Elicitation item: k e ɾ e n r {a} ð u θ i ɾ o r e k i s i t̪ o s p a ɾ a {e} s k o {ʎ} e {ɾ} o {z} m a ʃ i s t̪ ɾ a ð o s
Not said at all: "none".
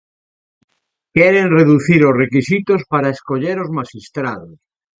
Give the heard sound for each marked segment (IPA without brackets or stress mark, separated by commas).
e, e, ʎ, ɾ, z